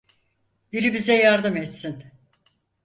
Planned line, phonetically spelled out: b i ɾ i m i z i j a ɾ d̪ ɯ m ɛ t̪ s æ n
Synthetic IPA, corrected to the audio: b i ɾ i b i z ɛ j a ɾ d̪ ɯ m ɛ t̪ s i n